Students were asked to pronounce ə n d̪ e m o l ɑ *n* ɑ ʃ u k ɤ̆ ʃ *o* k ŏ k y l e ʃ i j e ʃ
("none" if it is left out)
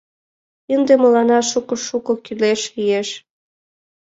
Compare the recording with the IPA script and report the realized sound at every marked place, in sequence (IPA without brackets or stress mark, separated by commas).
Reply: n, u